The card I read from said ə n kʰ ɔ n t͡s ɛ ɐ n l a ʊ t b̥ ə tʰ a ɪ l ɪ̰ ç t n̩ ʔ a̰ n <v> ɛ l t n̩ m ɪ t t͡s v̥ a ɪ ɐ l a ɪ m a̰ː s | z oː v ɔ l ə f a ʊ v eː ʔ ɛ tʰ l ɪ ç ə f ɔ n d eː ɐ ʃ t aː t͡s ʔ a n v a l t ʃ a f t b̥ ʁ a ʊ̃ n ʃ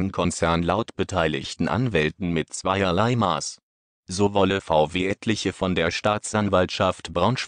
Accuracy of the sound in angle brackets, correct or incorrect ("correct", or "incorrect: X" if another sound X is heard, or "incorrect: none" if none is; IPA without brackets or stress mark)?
correct